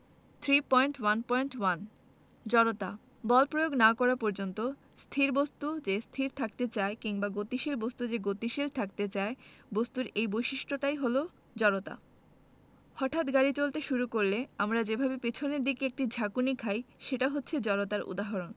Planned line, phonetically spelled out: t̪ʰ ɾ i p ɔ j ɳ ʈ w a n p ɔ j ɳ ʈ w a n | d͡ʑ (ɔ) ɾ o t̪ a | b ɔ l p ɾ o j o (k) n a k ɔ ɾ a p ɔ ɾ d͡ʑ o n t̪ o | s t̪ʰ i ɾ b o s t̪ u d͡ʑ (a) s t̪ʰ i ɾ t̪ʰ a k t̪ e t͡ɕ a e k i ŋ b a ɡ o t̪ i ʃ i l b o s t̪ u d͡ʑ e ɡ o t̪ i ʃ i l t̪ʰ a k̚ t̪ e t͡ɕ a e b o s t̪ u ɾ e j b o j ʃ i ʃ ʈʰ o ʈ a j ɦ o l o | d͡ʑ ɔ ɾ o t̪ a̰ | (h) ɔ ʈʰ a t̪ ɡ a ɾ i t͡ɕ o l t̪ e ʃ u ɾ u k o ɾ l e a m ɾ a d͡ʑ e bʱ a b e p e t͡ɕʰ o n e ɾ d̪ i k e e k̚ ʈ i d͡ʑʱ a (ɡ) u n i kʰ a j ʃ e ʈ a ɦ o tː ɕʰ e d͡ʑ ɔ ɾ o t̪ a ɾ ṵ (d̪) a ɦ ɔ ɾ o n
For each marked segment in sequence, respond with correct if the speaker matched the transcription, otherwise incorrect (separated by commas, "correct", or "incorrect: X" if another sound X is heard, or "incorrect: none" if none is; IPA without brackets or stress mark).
correct, incorrect: ɡ, incorrect: e, correct, incorrect: k, correct